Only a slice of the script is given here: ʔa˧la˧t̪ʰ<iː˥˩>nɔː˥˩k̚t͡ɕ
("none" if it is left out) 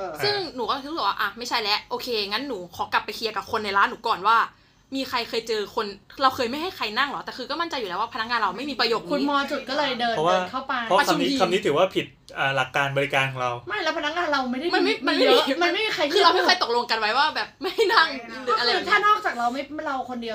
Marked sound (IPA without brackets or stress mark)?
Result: aː˥˩